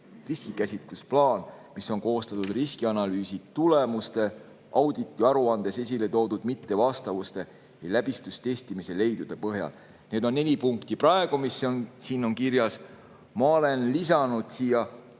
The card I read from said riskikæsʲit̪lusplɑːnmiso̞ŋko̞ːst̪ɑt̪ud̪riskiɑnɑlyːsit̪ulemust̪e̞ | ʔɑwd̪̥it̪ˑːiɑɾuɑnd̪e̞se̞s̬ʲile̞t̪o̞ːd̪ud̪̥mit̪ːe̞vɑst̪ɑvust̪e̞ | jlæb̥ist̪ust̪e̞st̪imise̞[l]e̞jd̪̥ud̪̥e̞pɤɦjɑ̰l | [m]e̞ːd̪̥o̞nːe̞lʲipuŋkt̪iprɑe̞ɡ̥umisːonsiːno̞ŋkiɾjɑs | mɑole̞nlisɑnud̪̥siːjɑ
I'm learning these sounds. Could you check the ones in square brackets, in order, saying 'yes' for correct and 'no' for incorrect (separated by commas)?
yes, no